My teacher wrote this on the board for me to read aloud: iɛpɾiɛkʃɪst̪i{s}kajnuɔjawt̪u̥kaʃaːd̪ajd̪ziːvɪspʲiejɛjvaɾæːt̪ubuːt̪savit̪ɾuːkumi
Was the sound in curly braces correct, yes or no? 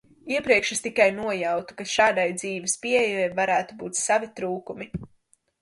no